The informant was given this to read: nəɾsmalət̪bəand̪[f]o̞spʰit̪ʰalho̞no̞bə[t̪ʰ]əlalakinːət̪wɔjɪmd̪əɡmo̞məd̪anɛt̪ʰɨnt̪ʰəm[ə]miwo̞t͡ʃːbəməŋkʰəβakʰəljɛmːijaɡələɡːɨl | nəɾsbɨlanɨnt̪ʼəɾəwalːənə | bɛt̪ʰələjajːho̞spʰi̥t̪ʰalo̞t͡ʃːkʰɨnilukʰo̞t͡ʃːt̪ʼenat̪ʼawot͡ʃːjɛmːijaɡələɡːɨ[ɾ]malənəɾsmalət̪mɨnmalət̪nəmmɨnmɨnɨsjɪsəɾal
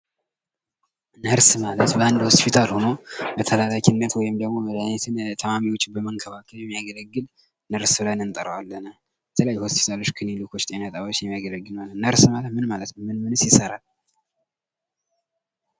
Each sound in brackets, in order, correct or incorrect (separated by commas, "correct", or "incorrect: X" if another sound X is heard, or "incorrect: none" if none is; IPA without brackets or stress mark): incorrect: h, correct, incorrect: a, incorrect: l